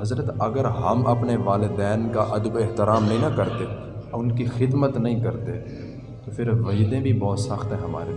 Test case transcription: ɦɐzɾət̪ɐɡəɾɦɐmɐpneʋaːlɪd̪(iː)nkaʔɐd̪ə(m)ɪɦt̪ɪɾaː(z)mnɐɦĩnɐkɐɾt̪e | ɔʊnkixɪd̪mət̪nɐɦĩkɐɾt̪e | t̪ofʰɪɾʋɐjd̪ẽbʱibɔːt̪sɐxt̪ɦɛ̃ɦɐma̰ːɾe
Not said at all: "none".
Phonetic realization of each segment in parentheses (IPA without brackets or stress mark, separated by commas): ɛː, b, none